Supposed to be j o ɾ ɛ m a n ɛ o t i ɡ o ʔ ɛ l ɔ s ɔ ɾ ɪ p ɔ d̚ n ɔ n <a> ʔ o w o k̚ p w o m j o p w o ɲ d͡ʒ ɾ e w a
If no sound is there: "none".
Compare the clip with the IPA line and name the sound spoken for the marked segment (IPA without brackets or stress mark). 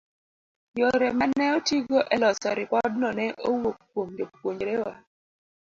ɛ